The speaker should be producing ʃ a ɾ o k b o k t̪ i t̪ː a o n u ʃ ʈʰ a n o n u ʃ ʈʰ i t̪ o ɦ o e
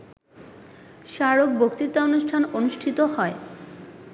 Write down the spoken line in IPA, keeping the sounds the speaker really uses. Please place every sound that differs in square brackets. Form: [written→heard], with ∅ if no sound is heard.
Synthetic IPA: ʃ a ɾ o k b o k t̪ i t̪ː a o n u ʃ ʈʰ a n o n u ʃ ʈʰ i t̪ o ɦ [o→ɔ] e